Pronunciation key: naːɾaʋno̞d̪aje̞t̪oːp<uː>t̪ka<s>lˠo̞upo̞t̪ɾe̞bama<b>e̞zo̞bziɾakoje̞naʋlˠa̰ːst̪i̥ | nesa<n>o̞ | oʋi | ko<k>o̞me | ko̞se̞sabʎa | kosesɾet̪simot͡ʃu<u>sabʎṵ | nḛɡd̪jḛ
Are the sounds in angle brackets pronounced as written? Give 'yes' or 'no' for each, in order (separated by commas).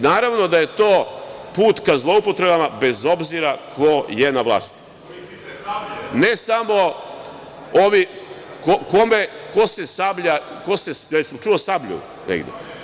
yes, no, yes, no, yes, no